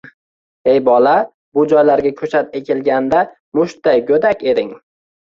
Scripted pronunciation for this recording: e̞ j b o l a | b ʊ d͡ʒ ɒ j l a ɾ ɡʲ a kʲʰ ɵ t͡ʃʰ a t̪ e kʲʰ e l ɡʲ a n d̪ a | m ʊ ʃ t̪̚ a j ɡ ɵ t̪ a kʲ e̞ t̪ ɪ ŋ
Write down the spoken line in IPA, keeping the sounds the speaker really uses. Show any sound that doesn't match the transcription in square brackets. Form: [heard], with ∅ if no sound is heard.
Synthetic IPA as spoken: e̞ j b [ɒ] l a | b ʊ d͡ʒ ɒ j l a ɾ ɡʲ a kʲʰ ɵ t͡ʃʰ a t̪ e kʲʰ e l ɡʲ a n d̪ a | m ʊ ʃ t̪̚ a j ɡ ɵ [d̪] a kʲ e̞ [d̪] ɪ ŋ